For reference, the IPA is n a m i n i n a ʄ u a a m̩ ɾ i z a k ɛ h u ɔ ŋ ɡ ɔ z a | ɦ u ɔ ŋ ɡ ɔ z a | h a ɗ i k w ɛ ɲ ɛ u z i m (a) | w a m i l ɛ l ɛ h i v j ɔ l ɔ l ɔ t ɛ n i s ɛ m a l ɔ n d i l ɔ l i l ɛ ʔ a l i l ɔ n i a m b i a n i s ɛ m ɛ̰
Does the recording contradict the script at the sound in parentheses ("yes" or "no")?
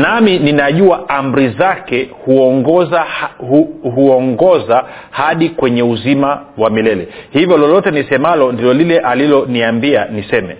no